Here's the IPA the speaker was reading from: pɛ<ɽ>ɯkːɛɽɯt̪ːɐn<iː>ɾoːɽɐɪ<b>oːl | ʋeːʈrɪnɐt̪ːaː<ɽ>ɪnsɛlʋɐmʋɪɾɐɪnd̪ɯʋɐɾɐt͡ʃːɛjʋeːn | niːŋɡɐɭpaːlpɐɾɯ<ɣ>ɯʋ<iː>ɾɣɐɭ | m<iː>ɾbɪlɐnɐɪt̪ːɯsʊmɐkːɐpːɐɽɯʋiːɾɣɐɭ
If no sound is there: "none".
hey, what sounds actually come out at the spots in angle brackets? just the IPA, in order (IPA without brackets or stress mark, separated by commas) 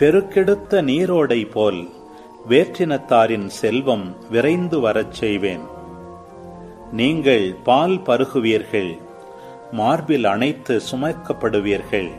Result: ɾ, iː, p, ɾ, ɣ, iː, aː